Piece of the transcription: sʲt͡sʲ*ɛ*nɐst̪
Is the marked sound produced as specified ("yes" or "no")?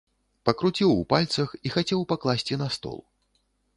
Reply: no